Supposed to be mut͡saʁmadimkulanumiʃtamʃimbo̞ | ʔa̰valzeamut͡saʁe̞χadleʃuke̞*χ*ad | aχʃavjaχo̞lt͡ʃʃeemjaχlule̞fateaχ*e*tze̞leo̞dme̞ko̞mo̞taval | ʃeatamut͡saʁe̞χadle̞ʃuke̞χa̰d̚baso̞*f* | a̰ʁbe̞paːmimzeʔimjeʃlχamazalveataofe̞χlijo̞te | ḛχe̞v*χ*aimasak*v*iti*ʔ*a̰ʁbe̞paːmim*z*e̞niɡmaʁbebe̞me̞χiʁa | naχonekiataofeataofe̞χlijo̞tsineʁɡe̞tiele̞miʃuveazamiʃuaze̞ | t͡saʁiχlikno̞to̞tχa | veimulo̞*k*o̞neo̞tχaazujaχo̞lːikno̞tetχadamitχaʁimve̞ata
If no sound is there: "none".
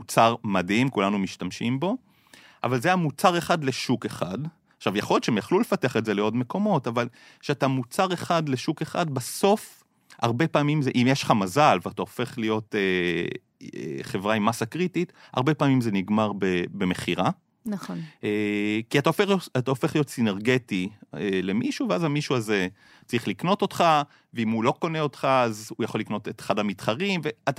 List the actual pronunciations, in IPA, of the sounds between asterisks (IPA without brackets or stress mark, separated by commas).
χ, e, f, ʁ, ʁ, t, z, k